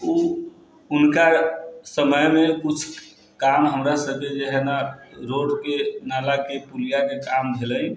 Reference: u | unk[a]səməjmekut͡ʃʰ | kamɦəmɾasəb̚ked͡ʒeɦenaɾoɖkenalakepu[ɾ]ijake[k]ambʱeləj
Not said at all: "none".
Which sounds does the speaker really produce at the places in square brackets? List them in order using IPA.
a, l, k

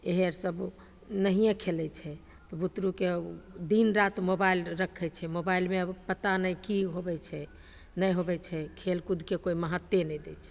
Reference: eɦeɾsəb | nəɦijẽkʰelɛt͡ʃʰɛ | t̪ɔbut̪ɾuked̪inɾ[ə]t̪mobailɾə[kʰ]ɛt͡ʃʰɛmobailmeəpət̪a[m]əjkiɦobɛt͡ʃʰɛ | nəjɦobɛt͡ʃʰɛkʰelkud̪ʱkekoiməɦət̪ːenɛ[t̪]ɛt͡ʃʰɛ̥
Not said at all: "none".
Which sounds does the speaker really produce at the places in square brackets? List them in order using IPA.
a, kʰ, n, d̪

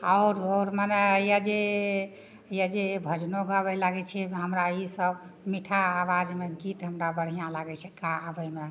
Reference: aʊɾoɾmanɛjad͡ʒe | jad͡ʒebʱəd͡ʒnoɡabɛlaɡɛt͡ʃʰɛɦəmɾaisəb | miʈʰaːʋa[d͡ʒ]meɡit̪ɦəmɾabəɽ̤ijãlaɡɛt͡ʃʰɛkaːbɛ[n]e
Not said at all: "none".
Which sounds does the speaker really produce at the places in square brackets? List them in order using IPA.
d͡ʒ, m

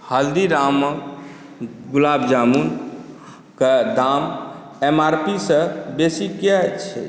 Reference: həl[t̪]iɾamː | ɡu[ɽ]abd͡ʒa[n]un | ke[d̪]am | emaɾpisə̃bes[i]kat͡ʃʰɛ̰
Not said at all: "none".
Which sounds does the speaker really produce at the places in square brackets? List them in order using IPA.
d̪, l, m, d̪, i

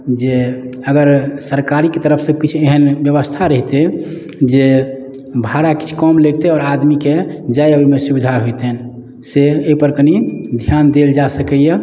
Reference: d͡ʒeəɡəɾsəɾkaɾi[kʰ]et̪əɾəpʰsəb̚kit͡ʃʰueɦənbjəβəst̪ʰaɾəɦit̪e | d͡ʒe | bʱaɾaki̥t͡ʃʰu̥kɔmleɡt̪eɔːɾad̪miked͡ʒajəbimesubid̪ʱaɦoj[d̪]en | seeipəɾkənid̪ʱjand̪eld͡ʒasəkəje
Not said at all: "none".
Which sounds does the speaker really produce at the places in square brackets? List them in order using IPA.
k, t̪

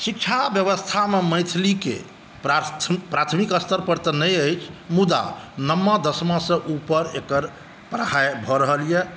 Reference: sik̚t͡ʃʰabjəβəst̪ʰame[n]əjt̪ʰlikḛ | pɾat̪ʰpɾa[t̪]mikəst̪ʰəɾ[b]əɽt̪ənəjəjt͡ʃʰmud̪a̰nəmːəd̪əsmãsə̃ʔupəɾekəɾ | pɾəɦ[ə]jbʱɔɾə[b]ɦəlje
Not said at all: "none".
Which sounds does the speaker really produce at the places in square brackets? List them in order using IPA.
m, t̪ʰ, p, a, none

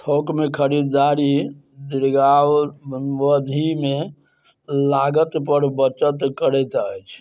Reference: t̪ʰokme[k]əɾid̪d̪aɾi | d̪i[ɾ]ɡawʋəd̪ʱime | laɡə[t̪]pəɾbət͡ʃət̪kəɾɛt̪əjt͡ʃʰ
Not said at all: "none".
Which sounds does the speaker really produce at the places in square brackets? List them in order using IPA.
kʰ, ɾ, t̪

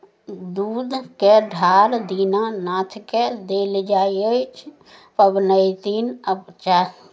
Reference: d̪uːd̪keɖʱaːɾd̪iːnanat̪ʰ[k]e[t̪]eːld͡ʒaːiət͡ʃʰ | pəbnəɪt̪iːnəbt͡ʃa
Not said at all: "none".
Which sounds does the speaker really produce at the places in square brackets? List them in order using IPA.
k, d̪

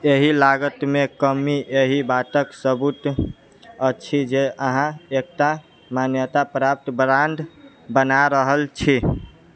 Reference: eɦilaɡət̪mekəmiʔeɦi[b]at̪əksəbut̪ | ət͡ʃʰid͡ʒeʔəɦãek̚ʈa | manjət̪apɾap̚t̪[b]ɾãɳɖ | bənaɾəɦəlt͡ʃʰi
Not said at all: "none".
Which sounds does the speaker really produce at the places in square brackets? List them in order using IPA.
b, b

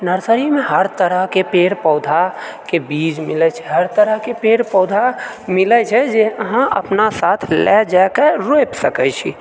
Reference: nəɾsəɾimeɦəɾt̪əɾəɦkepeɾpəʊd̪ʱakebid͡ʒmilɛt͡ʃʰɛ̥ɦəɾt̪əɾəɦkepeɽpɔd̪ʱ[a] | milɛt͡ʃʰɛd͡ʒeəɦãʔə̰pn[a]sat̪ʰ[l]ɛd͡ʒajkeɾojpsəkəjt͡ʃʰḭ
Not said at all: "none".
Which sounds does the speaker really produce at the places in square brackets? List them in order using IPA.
a, a, l

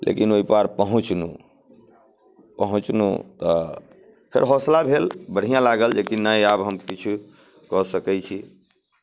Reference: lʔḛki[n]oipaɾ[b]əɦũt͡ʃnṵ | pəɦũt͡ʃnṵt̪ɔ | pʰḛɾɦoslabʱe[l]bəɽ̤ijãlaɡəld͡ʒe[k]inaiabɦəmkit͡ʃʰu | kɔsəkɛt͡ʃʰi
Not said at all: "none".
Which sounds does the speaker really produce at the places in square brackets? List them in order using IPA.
n, p, l, k

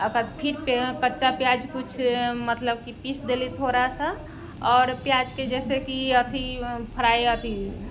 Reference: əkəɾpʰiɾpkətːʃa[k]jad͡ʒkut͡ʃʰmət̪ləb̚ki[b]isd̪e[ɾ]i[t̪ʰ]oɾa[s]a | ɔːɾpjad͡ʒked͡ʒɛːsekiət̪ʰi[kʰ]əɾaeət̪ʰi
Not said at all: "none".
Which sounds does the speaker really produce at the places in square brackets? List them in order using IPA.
p, p, l, t̪ʰ, s, pʰ

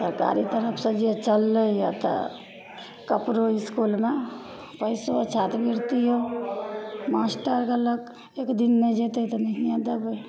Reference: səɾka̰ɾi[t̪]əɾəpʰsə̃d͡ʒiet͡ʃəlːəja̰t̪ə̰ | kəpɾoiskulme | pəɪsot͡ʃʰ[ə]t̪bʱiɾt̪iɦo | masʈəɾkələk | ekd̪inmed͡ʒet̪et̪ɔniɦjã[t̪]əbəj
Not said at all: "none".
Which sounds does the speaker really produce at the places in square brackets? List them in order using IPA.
t̪, a, d̪

